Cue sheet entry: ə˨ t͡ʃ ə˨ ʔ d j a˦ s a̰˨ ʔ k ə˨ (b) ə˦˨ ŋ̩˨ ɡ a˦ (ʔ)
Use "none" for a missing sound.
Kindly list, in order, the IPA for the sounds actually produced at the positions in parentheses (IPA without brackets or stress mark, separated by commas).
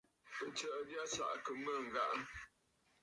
m, ʔ